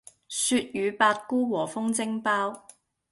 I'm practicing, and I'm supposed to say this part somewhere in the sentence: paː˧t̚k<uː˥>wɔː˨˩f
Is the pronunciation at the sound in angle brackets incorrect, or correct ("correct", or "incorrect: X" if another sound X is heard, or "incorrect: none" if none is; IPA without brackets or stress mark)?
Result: correct